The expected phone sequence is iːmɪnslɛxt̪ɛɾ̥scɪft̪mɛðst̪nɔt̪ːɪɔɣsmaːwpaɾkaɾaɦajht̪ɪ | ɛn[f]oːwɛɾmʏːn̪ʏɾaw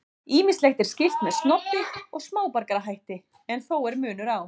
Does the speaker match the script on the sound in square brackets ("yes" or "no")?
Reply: no